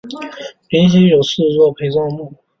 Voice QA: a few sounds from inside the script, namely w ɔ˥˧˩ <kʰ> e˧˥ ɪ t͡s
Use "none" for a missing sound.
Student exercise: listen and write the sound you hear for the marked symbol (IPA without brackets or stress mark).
pʰ